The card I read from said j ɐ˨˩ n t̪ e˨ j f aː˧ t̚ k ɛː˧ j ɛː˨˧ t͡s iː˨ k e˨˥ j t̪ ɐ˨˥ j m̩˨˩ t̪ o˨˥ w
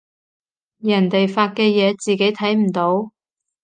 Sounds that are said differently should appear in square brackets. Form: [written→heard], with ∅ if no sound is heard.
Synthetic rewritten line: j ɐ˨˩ n t̪ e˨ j f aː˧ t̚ k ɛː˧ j ɛː˨˧ t͡s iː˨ k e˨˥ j [t̪→t̪ʰ] ɐ˨˥ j m̩˨˩ t̪ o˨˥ w